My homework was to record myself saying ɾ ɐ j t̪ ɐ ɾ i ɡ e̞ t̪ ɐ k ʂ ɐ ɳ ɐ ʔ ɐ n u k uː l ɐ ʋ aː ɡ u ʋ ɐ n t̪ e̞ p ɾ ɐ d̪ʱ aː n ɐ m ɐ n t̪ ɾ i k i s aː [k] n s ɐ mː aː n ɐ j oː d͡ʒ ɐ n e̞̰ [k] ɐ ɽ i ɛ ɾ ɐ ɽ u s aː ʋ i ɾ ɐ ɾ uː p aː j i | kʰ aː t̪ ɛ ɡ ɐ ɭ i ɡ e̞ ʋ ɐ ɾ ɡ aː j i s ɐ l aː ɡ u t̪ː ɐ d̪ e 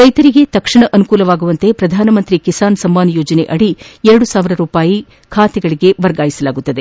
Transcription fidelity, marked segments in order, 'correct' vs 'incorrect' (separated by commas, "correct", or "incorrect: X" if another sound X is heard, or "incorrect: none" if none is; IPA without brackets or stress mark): incorrect: none, incorrect: ʔ